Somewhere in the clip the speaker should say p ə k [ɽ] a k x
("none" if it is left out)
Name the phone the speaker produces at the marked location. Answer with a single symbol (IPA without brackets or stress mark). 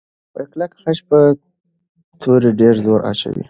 l